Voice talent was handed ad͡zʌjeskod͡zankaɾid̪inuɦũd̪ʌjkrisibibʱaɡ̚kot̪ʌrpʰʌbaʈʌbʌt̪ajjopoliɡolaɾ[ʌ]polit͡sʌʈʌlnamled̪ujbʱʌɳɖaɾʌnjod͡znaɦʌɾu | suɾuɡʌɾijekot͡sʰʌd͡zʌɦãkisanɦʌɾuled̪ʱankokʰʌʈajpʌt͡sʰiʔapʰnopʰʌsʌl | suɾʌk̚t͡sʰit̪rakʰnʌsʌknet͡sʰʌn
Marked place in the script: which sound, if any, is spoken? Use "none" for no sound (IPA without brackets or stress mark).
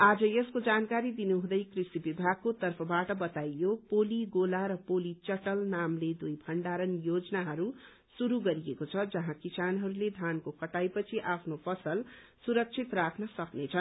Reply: ʌ